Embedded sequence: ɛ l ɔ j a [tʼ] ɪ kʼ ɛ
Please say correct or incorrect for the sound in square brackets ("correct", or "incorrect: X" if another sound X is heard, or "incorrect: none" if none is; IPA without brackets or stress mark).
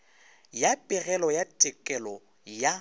correct